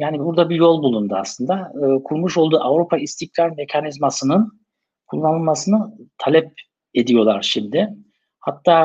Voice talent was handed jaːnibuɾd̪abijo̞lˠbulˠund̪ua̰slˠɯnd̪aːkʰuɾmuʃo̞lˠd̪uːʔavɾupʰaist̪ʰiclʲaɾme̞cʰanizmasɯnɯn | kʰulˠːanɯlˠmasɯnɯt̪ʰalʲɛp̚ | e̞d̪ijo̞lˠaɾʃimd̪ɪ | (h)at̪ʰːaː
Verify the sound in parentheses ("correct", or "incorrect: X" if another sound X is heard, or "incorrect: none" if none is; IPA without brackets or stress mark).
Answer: correct